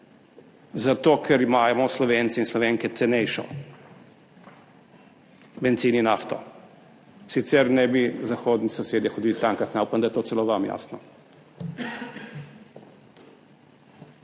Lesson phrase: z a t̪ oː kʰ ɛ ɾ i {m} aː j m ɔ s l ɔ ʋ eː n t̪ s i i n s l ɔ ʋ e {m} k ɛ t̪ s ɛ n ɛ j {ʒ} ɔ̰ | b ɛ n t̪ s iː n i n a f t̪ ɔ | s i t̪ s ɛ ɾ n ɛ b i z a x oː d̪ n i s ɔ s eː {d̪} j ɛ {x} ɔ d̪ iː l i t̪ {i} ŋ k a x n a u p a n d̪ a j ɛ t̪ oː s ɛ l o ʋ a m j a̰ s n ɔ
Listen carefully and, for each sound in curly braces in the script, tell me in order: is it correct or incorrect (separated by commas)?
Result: correct, incorrect, incorrect, correct, correct, incorrect